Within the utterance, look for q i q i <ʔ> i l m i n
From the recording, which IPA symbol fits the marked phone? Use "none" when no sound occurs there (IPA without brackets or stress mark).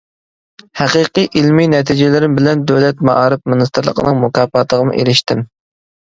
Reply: ʔ